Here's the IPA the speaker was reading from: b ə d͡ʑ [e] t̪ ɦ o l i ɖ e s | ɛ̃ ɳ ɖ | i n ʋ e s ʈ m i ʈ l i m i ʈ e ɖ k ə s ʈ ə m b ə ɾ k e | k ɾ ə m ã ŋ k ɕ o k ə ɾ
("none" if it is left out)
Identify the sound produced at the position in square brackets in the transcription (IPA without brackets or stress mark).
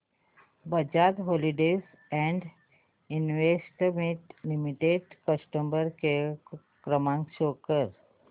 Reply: a